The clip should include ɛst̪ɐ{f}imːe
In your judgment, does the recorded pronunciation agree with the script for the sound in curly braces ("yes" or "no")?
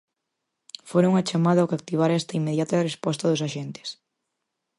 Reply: no